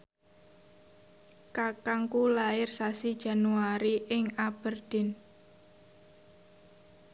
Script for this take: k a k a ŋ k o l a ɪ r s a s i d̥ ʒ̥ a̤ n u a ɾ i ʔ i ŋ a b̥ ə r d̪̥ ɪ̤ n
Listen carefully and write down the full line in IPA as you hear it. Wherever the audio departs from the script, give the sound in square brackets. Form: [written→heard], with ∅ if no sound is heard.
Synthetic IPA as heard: k a k a ŋ k [o→u] l a ɪ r s a s i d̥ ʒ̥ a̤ n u a ɾ i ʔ [i→ɪ] ŋ a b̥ ə r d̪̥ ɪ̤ n